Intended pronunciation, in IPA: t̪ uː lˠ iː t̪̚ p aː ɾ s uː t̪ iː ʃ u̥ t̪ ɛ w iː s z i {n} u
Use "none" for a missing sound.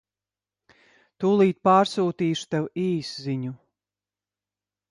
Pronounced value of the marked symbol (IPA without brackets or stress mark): ɲ